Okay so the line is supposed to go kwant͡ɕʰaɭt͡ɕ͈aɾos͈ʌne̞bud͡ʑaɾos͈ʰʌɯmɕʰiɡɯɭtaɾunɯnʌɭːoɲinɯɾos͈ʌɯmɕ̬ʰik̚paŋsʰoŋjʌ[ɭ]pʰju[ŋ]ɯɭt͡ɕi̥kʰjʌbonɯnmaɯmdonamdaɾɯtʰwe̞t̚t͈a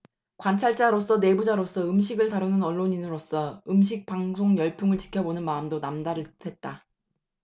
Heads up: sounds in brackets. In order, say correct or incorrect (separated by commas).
correct, correct